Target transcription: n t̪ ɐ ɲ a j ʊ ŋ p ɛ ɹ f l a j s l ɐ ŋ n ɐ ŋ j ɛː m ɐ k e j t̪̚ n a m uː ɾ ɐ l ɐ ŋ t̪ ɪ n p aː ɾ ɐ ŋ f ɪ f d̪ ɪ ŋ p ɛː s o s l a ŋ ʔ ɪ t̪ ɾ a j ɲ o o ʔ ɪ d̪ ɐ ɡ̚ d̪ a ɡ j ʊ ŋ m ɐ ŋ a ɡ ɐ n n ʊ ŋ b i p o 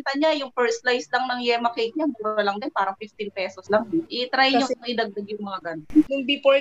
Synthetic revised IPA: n t̪ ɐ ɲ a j ʊ ŋ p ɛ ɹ s l a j s l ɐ ŋ n ɐ ŋ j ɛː m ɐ k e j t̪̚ ɲ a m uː ɾ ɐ l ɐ ŋ d̪ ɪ n p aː ɾ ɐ ŋ f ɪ f t̪ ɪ n p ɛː s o s l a ŋ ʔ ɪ t̪ ɾ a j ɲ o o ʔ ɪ d̪ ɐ ɡ̚ d̪ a ɡ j ʊ ŋ m ɐ ŋ a ɡ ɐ n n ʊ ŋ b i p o